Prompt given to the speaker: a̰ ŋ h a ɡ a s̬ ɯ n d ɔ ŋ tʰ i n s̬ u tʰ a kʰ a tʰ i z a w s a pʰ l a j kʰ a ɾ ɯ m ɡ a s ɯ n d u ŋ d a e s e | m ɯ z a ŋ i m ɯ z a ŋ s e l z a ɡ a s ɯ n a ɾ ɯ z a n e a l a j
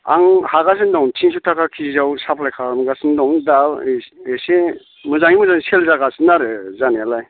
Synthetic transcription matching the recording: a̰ ŋ h a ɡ a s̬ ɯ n d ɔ ŋ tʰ i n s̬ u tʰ a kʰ a kʰ i z a w s a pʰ l a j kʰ a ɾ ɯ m ɡ a s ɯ n d ɔ ŋ d a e s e | m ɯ z a ŋ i m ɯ z a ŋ s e l z a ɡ a s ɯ n a ɾ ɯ z a n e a l a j